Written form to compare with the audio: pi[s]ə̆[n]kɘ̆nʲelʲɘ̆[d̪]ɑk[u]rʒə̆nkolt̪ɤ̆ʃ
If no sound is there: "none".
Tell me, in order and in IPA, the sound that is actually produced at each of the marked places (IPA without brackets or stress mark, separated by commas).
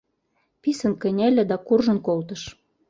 s, n, d̪, u